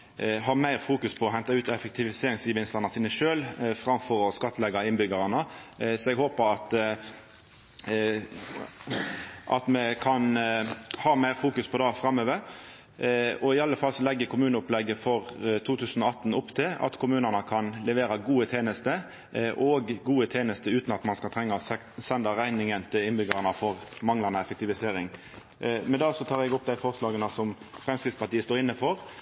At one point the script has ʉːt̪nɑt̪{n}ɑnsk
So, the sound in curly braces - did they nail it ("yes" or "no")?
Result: no